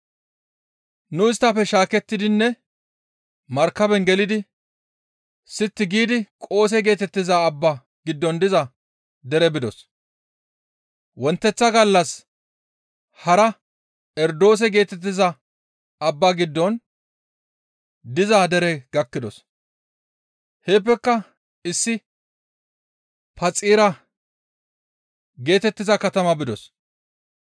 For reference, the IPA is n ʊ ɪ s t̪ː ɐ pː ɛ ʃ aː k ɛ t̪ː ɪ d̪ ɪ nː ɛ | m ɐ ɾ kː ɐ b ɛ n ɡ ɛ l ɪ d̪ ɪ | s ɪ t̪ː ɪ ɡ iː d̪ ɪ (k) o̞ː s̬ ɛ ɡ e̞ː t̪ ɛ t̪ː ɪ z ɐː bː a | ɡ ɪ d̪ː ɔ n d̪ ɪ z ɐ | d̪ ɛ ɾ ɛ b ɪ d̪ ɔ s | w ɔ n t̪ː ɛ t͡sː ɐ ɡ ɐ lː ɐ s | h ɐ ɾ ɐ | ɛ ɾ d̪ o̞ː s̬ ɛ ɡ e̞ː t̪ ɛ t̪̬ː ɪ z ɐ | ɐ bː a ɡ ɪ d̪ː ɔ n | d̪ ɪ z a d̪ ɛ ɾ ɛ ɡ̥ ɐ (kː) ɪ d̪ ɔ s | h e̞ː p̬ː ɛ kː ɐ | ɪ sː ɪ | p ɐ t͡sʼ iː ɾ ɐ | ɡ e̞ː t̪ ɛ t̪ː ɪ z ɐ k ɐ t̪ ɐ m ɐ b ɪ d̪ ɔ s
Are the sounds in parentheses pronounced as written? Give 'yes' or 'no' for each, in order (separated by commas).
no, yes